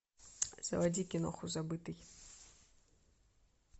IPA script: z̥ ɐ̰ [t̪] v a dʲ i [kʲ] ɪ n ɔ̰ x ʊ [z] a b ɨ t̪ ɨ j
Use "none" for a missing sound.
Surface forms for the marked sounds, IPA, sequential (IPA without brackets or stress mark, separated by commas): none, kʲ, z